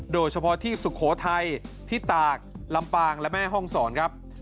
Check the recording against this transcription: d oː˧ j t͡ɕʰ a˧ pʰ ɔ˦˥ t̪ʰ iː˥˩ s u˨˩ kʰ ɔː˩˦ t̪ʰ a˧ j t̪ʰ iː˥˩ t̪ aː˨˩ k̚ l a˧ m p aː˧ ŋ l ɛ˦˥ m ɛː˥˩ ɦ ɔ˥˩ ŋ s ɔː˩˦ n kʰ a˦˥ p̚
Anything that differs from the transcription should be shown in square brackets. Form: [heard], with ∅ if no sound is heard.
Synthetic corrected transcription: d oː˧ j t͡ɕʰ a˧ pʰ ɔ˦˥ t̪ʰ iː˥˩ s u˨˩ kʰ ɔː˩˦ t̪ʰ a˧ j t̪ʰ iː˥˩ t̪ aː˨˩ k̚ l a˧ m p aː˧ ŋ l ɛ˦˥ m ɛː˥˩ ɦ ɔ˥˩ ŋ s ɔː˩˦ n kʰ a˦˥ p̚